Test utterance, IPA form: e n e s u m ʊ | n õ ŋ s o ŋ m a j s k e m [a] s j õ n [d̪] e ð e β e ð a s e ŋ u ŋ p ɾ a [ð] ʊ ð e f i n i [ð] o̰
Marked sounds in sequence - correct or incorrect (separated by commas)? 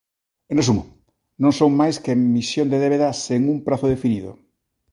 incorrect, correct, incorrect, correct